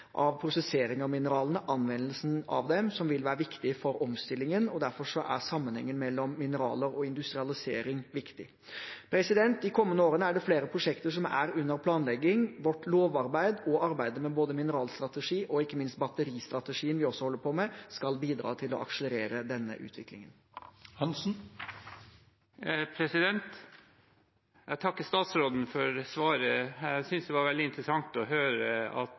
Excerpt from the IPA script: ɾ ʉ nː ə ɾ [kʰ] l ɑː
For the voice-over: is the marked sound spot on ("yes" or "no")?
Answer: no